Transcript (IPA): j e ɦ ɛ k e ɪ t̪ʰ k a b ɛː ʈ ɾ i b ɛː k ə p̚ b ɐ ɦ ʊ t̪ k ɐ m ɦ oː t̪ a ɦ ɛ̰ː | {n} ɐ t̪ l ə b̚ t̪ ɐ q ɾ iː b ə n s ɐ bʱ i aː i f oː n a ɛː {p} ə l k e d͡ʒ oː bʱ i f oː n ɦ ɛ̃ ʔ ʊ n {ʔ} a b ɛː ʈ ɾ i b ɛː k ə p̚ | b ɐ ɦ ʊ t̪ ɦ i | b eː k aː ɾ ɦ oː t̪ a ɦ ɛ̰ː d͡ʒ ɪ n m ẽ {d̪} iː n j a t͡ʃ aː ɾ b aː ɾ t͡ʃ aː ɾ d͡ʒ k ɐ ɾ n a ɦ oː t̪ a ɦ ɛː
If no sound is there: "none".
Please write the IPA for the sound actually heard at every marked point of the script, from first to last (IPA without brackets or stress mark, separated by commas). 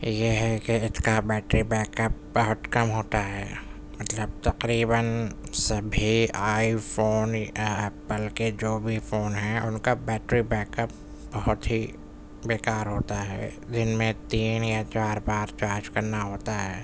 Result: m, p, k, t̪